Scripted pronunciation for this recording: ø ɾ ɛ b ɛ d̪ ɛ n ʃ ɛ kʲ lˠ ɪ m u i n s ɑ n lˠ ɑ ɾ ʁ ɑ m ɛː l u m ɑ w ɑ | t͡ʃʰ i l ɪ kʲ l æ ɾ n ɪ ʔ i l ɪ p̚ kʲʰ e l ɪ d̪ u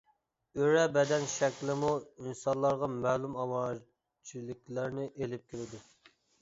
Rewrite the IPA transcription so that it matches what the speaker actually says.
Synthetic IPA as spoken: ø ɾ ɛ b ɛ d̪ ɛ n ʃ ɛ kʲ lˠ ɪ m u i n s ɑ n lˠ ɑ ɾ ʁ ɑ m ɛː l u m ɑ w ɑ | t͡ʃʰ i l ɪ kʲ l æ ɾ n ɪ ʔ e l ɪ p̚ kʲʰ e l ɪ d̪ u